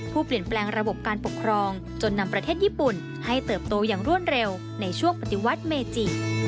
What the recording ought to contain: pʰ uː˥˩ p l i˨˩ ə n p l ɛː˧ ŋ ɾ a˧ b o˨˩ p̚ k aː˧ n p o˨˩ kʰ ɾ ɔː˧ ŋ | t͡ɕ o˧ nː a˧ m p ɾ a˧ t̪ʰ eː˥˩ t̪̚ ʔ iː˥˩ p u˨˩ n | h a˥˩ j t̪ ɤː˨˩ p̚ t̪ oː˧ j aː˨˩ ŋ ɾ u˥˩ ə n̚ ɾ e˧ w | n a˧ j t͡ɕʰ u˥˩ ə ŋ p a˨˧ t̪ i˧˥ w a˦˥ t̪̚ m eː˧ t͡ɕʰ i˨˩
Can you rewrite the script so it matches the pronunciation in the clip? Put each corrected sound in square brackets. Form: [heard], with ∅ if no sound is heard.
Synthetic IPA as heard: pʰ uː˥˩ p l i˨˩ ə n p l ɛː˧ ŋ ɾ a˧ b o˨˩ p̚ k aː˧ n p o˨˩ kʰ ɾ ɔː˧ ŋ | t͡ɕ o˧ nː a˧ m p ɾ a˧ t̪ʰ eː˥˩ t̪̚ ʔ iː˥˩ p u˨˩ n | h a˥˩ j t̪ ɤː˨˩ p̚ t̪ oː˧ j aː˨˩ ŋ ɾ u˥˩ ə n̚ ɾ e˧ w | n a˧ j t͡ɕʰ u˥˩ ə ŋ p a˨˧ t̪ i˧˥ w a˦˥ t̪̚ m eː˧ [t͡ɕ] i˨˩